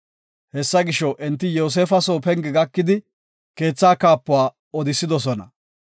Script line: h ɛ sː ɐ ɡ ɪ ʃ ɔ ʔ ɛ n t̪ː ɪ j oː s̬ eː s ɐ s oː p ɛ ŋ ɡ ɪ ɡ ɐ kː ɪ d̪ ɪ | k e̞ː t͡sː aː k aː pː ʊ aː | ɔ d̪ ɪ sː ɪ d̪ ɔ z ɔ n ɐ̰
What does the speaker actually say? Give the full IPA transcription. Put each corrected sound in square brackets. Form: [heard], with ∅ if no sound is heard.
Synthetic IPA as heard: h ɛ sː ɐ ɡ ɪ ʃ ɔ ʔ ɛ n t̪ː ɪ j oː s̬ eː [f] ɐ s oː p ɛ ŋ ɡ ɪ ɡ ɐ kː ɪ d̪ ɪ | k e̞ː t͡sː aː k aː pː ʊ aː | ɔ d̪ ɪ sː ɪ d̪ ɔ [s] ɔ n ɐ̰